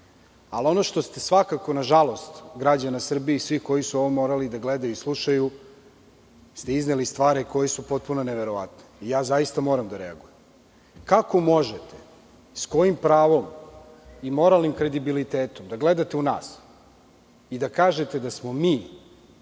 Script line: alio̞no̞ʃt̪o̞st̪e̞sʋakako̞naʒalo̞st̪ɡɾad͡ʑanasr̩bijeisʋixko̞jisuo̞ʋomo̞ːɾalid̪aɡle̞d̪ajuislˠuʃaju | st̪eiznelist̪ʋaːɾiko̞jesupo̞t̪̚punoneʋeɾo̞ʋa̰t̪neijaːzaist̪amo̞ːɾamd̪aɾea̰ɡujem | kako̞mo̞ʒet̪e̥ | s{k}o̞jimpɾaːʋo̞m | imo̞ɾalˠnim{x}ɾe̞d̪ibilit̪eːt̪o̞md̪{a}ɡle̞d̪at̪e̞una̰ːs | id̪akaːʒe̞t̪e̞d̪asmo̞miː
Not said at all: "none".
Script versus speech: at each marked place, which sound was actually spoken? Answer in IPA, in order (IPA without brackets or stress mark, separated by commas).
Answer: k, k, a